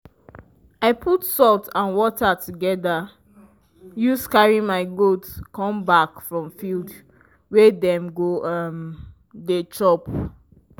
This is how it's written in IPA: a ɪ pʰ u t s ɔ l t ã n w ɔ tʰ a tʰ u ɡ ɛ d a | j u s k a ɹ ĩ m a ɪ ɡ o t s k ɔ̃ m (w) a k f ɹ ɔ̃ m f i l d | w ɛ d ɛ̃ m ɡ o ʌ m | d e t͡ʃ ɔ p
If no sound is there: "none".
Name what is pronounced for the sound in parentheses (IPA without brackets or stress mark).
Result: b